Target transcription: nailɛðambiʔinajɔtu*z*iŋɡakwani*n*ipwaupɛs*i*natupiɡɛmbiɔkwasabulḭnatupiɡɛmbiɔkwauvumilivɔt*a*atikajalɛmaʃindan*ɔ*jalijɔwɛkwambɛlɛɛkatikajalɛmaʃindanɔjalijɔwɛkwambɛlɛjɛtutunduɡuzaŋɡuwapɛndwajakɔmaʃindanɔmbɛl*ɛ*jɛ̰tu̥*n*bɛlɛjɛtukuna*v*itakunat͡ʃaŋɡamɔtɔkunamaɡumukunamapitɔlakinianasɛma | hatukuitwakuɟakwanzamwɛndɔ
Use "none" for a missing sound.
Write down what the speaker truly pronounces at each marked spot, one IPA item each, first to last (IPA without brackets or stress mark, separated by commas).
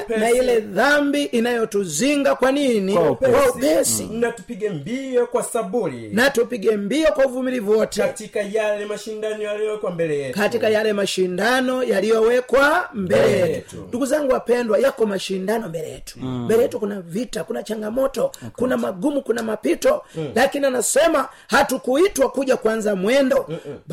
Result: z, n, i, ɛ, ɔ, ɛ, m, v